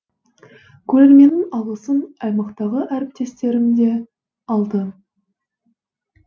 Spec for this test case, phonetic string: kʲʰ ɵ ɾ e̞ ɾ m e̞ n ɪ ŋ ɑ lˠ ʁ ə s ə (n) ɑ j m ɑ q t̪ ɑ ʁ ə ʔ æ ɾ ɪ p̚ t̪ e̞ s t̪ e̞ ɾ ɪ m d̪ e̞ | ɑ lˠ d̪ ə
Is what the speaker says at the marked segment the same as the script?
yes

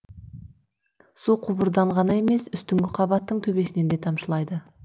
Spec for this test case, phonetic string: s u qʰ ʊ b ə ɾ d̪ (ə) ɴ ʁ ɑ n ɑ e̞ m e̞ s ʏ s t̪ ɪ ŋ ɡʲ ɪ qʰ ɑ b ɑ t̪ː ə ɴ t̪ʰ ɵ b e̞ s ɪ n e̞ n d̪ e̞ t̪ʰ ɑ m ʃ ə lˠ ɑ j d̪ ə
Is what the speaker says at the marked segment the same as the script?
no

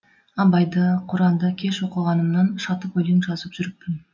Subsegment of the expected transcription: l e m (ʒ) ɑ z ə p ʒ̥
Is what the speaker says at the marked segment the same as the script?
yes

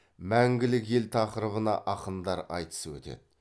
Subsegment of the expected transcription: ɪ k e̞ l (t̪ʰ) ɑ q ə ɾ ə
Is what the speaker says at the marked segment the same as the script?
yes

